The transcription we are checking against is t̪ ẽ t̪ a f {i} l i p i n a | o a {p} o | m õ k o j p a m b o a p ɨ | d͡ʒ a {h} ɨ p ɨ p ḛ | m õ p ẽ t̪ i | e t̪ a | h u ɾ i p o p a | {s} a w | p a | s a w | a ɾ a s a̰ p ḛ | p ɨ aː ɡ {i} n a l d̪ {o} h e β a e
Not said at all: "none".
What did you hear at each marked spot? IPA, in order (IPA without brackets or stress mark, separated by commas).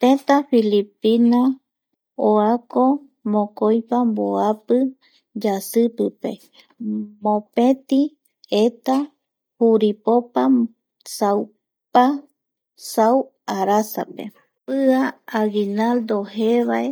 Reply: i, k, s, s, i, o